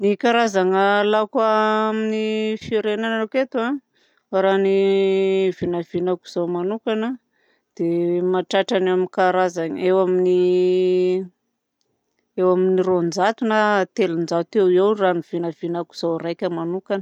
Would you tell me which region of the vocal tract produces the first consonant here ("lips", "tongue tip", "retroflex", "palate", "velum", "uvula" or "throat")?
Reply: tongue tip